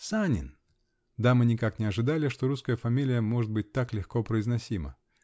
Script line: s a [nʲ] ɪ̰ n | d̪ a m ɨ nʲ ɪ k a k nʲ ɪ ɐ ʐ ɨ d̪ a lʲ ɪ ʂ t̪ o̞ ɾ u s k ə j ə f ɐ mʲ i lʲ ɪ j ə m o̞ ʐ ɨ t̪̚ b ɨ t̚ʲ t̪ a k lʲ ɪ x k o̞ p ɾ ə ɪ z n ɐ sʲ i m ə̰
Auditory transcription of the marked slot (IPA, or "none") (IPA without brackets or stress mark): nʲ